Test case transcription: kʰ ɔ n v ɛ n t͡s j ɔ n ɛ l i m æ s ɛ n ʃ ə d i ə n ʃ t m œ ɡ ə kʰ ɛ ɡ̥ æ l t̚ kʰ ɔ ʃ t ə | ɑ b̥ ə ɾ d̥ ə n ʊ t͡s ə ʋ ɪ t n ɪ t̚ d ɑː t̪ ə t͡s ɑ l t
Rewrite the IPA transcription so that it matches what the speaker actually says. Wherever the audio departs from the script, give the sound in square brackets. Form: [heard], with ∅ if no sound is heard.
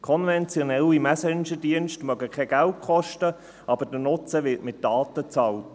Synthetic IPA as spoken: kʰ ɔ n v ɛ n t͡s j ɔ n ɛ l i m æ s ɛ n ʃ ə d i ə n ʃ t m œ ɡ ə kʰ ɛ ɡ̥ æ l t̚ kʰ ɔ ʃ t ə | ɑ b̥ ə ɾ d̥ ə n ʊ t͡s ə ʋ ɪ t [m] ɪ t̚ d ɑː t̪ ə t͡s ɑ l t